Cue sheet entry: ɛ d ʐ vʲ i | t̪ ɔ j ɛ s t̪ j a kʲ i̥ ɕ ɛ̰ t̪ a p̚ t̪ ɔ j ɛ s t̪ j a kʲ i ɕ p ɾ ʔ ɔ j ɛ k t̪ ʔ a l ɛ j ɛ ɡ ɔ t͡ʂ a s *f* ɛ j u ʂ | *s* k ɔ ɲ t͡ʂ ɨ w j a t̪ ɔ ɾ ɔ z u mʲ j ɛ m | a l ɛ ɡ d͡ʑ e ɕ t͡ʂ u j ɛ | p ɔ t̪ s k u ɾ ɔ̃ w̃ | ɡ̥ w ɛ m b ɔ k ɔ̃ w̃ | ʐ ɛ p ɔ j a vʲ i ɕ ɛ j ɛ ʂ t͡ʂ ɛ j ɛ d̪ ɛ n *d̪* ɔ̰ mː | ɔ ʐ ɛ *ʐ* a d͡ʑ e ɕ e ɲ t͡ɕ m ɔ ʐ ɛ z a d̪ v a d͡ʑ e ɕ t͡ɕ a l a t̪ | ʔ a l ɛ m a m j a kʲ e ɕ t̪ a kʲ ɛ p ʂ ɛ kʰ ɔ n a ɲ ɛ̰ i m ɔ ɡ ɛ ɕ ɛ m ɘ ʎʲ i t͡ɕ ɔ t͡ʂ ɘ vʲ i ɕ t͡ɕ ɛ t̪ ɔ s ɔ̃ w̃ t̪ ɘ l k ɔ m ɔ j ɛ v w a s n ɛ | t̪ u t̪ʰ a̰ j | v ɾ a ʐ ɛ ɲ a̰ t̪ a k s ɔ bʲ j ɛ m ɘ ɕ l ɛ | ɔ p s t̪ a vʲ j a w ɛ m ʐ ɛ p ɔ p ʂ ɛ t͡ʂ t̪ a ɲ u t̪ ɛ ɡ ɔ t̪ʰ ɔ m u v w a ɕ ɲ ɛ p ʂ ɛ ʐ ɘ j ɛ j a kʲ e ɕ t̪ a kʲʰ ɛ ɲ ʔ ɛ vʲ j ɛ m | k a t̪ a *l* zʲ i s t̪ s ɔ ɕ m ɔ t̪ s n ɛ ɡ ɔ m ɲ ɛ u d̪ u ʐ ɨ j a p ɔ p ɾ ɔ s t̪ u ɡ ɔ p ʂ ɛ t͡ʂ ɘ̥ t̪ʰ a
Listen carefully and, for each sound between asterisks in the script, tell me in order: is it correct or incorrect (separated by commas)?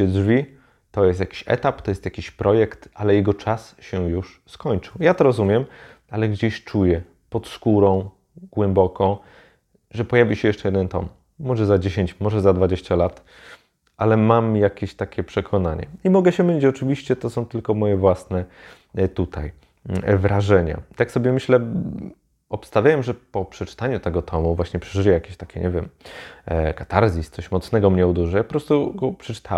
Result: incorrect, correct, incorrect, incorrect, incorrect